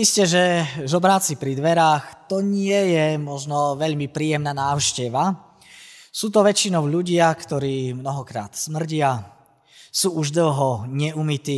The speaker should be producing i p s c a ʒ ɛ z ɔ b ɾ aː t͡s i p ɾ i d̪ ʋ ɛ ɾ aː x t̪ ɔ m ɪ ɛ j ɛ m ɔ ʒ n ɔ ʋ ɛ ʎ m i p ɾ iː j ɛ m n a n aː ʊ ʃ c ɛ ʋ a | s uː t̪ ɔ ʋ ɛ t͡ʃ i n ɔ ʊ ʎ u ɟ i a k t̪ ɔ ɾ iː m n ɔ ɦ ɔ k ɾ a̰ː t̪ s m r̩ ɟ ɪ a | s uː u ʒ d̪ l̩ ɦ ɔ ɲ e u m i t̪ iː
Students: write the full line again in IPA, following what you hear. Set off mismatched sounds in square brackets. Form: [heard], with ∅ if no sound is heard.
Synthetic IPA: i [∅] s c [ɛ] ʒ ɛ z ɔ b ɾ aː t͡s i p ɾ i d̪ ʋ ɛ ɾ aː x t̪ ɔ [ɲ] ɪ ɛ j ɛ m ɔ ʒ n ɔ ʋ ɛ ʎ m i p ɾ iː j ɛ m n a n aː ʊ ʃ c ɛ ʋ a | s uː t̪ ɔ ʋ ɛ t͡ʃ i n ɔ ʊ ʎ u ɟ [ɪ] a k t̪ ɔ ɾ iː m n ɔ ɦ ɔ k ɾ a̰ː t̪ s m r̩ ɟ ɪ a | s uː u ʒ d̪ l̩ ɦ ɔ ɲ [ɛ] u m i t̪ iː